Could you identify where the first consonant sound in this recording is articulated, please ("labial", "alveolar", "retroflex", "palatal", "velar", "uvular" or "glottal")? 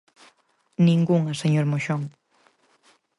alveolar